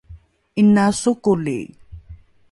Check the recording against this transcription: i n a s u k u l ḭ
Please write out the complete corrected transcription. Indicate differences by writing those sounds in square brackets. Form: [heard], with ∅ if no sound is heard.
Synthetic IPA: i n a s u k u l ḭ